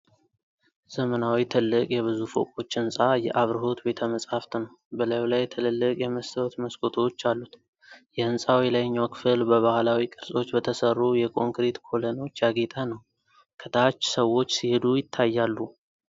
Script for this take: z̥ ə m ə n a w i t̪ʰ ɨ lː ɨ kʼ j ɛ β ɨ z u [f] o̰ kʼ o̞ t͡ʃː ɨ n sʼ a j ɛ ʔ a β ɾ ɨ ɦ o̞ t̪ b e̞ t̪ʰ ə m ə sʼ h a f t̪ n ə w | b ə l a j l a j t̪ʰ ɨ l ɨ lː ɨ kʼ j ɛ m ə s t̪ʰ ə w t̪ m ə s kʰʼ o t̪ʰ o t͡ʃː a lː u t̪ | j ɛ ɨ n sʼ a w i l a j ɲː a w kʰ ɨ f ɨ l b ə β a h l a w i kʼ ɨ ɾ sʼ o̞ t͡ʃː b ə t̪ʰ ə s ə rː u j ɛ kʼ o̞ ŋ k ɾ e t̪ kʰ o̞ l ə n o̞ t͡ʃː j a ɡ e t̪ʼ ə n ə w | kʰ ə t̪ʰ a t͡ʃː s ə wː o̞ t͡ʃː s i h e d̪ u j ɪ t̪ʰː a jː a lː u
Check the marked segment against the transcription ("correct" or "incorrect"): correct